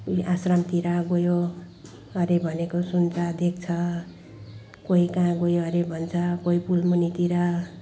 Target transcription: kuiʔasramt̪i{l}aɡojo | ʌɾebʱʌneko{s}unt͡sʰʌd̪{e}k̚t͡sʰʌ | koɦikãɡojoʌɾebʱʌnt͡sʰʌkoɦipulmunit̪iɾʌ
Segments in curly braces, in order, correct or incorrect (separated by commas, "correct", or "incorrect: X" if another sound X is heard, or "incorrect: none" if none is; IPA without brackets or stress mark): incorrect: ɾ, correct, correct